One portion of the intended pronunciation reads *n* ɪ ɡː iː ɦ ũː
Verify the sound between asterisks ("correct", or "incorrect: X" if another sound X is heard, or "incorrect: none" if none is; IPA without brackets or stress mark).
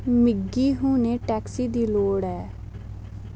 incorrect: m